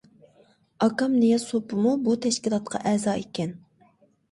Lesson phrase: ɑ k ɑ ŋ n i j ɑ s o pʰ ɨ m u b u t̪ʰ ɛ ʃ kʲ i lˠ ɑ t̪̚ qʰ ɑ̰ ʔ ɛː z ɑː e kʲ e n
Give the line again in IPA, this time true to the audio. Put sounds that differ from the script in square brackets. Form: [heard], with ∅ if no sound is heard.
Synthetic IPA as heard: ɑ k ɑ [m] n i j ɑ s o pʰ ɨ m u b u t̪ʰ ɛ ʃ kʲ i lˠ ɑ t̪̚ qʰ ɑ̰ ʔ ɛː z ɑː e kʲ [ɛ] n